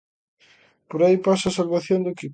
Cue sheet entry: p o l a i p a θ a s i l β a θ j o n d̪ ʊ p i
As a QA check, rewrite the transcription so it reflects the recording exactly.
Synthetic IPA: p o ɾ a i p a s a s a l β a θ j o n d̪ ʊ k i